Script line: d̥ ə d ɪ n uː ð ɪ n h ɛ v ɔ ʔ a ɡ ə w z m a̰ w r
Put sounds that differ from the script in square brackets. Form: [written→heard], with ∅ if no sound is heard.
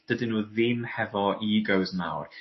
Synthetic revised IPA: d̥ ə d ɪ n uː ð ɪ [n→m] h ɛ v ɔ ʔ [a→i] ɡ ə w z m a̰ w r